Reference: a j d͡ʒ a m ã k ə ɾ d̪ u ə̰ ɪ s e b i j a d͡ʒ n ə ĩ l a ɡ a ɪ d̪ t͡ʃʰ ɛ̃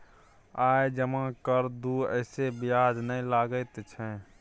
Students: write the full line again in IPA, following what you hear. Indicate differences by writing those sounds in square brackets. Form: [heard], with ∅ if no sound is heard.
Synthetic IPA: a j d͡ʒ [ə] m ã k ə ɾ d̪ u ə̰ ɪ s e b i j a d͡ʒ n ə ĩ l a ɡ [ə] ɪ [t̪] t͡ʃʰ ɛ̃